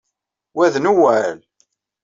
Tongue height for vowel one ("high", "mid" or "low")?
low